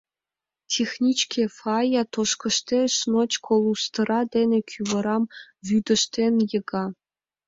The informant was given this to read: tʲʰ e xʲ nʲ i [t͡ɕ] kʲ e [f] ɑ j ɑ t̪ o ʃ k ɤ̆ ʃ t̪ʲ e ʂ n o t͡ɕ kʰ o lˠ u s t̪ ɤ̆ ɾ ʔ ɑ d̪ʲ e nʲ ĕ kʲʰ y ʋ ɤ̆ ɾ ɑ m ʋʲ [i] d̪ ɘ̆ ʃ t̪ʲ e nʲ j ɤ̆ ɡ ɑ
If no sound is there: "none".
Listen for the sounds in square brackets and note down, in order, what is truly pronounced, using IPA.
t͡ɕ, f, y

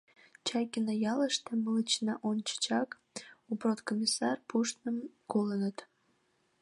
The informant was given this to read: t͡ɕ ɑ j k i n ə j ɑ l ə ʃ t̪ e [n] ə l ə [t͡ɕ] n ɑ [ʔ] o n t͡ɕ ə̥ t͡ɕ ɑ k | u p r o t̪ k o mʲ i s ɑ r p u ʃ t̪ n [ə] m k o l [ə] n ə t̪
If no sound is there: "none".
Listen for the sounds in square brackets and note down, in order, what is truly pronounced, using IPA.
m, t͡ɕ, ʔ, ə, ə

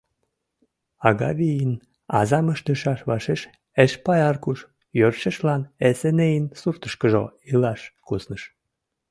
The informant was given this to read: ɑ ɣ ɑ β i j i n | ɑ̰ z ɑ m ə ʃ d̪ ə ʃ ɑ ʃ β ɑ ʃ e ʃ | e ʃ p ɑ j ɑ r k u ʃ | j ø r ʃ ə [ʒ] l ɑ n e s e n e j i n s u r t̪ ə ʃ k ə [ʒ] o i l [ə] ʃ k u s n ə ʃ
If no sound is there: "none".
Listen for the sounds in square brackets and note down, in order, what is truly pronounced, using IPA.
ʃ, ʒ, ɑ

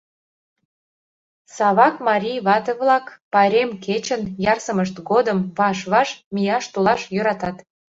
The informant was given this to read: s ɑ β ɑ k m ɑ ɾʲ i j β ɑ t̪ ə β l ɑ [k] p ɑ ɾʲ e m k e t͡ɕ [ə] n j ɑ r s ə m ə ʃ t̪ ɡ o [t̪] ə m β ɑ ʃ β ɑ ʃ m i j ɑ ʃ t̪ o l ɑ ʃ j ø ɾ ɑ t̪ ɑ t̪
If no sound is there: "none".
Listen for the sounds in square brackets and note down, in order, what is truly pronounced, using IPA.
k, ə, d̪

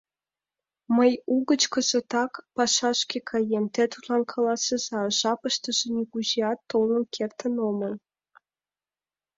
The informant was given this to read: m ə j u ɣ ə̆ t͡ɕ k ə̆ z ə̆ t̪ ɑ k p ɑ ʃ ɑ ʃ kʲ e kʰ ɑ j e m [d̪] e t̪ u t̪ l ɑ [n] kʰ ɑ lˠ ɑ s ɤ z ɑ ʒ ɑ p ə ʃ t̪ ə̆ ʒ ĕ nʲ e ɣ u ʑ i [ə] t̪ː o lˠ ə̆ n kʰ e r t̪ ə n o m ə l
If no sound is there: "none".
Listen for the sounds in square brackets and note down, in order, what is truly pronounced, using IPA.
t̪, n, ɑ

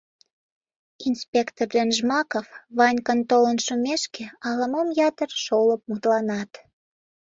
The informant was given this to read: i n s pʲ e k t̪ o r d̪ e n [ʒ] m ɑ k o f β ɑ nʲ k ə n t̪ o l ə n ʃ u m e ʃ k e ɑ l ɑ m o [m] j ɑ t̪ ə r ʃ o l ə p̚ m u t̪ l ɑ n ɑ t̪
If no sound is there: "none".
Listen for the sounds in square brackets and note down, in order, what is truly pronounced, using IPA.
ʒ, m

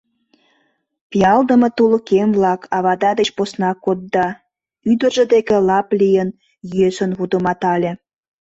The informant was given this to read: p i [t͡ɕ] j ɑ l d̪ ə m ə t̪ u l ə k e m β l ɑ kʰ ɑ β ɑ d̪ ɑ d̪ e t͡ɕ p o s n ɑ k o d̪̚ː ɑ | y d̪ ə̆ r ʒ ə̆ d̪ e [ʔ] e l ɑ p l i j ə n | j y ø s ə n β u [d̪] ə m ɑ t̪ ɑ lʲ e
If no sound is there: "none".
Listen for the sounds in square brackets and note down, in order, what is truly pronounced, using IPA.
none, k, d̪

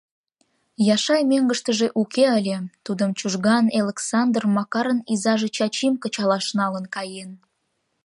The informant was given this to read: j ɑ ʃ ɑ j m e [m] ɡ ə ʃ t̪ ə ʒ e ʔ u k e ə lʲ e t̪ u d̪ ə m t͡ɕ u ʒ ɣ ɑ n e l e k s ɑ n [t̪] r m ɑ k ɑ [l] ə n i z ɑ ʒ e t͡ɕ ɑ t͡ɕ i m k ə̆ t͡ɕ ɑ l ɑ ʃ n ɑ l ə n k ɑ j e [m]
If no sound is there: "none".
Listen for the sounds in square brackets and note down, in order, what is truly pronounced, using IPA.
ŋ, d̪, ɾ, n

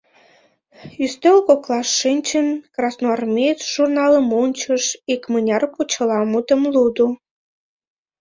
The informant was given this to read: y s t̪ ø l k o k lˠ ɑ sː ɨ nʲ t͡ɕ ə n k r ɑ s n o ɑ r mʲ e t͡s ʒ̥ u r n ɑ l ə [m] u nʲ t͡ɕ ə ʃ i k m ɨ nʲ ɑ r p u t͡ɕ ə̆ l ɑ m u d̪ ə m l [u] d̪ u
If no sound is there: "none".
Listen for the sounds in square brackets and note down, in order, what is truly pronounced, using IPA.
m, u

